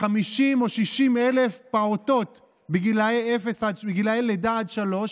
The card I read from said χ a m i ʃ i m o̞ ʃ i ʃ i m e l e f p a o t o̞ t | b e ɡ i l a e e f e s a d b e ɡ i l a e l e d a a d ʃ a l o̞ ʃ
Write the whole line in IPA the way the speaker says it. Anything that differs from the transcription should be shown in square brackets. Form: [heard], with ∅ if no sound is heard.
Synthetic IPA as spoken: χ a m i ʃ i m o̞ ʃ i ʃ i m e l e f p a o t o̞ t | b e ɡ i l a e e f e s a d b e ɡ i l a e l e d a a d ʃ a l o̞ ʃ

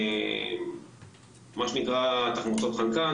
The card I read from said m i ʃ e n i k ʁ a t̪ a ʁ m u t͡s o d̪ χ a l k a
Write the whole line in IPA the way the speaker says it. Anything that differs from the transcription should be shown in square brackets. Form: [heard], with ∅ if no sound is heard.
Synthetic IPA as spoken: m [a] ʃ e n i k ʁ a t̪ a [χ] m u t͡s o [t̪] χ a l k a

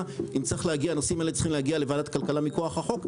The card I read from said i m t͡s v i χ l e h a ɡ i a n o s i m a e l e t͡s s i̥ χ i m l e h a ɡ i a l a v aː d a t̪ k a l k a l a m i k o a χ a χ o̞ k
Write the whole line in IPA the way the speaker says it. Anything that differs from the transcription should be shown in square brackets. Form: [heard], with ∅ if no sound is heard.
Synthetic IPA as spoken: i m t͡s [ʁ] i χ l e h a ɡ i a n o s i m a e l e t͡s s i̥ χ i m l e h a ɡ i a l [e] v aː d a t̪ k a l k a l a m i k o a χ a χ o̞ k

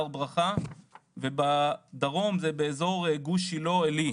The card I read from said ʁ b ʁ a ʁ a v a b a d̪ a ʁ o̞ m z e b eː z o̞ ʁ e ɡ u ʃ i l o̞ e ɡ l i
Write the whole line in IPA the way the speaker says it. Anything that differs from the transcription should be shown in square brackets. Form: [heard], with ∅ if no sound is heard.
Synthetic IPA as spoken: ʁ b ʁ a [χ] a v [e] b a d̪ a ʁ o̞ m z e b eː z o̞ ʁ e ɡ u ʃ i l o̞ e [∅] l i

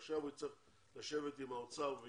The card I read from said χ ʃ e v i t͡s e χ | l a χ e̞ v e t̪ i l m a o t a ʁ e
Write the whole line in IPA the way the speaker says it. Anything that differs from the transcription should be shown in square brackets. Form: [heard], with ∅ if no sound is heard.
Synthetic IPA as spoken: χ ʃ [a] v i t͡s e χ | l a [ʃ] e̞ v e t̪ i [∅] m a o [t͡s] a [v] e

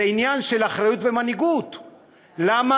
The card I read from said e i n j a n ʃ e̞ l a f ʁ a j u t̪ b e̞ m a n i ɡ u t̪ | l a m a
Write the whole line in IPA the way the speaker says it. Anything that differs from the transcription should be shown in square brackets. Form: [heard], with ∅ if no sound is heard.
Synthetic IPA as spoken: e i n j a n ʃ e̞ l a [χ] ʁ a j u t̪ [v] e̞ m a n i ɡ u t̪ | l a m a

